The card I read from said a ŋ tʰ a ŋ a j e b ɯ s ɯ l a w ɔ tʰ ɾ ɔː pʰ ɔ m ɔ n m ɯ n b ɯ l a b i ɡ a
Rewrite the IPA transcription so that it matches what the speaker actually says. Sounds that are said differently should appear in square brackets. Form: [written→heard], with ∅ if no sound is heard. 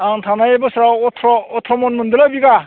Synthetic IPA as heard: a ŋ tʰ a [ŋ→n] a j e b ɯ s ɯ [l→ɾ] a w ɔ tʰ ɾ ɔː [pʰ→tʰ] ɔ m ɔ n m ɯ n [b→d] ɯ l a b i ɡ a